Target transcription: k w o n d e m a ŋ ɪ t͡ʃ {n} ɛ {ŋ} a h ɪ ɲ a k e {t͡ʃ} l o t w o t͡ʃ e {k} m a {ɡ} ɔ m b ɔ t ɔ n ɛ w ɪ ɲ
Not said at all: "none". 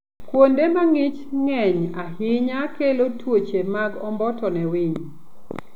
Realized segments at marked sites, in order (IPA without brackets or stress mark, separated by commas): ŋ, ɲ, none, none, ɡ